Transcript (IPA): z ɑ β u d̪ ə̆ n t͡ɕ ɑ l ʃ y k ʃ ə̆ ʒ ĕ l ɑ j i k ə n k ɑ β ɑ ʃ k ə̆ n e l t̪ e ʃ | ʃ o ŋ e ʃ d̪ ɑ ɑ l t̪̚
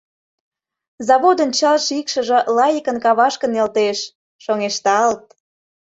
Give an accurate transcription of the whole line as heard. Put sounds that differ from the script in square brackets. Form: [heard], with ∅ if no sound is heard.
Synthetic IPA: z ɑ β [o] d̪ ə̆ n t͡ɕ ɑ l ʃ [i] k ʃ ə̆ ʒ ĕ l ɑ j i k ə n k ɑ β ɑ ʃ k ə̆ n e l t̪ e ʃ | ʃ o ŋ e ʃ [t̪] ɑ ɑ l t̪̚